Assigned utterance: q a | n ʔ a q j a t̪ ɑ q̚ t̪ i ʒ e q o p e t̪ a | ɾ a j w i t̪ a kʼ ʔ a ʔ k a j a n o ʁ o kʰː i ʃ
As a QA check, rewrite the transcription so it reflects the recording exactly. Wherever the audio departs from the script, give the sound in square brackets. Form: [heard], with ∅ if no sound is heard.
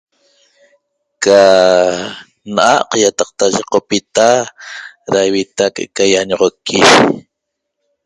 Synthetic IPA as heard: [k] a | n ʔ a q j a t̪ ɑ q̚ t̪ [a] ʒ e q o p [i] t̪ a | ɾ a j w i t̪ a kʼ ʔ [e] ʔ k a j a [ɲ] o ʁ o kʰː i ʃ